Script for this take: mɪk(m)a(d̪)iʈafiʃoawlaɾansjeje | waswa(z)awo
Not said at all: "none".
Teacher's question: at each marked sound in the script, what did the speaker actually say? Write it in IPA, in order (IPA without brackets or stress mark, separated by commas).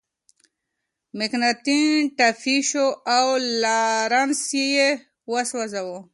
n, t̪, z